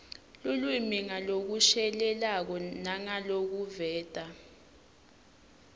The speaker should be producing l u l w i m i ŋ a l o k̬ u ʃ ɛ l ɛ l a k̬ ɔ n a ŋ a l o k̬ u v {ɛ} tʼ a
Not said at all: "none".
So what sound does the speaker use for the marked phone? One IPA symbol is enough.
ɛː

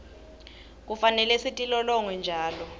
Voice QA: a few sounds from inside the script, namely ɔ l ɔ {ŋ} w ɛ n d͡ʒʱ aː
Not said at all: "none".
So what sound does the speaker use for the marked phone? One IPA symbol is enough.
ŋ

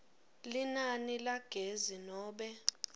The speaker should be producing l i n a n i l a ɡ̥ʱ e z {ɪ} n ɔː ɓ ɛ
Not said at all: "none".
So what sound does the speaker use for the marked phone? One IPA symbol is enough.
i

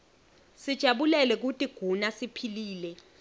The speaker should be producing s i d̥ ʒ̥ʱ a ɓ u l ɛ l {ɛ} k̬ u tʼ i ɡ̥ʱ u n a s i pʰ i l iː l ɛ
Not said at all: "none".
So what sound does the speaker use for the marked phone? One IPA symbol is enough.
ɛ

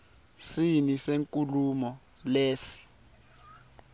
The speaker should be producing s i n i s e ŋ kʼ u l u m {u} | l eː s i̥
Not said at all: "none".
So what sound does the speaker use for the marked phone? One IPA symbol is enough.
ɔ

